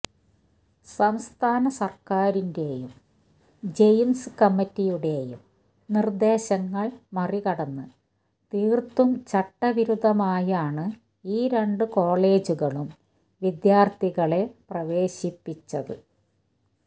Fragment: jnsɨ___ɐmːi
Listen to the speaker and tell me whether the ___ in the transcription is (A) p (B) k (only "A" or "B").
B